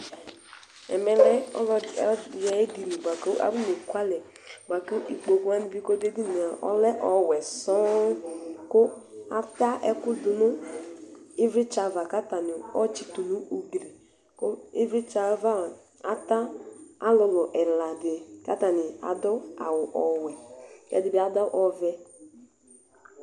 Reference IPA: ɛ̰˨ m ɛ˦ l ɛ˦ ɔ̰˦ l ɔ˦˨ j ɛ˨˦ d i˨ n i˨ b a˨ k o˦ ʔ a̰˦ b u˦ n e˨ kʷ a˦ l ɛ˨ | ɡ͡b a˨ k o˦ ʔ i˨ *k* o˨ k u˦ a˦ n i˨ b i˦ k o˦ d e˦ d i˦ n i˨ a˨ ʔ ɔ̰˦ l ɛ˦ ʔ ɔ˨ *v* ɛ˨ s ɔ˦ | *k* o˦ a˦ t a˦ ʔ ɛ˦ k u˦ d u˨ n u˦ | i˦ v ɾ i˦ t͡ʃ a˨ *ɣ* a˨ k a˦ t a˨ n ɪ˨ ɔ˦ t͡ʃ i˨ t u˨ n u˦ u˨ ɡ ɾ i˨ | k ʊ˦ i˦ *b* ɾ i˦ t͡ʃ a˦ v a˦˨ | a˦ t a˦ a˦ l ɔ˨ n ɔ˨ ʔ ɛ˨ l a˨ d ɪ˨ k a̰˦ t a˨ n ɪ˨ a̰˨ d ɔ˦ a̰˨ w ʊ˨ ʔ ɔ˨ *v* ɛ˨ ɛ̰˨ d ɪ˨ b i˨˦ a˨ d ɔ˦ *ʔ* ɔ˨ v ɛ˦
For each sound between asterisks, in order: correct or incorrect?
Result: incorrect, incorrect, correct, incorrect, incorrect, incorrect, correct

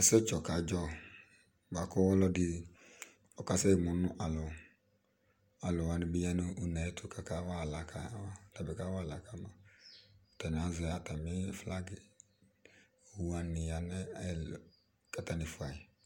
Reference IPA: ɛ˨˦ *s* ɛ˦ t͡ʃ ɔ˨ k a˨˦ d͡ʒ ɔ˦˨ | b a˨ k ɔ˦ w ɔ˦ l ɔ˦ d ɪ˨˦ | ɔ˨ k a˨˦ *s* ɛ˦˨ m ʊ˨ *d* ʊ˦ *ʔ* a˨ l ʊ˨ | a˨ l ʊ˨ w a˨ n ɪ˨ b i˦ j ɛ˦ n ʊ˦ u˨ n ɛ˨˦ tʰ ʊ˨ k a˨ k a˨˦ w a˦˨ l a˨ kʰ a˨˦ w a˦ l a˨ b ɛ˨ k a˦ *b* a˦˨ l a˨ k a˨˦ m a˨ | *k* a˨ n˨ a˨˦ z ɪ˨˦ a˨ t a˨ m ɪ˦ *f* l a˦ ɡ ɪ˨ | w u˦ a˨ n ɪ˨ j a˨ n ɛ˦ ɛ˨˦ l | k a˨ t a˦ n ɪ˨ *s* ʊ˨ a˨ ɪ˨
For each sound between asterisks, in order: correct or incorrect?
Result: correct, correct, incorrect, correct, incorrect, incorrect, correct, incorrect

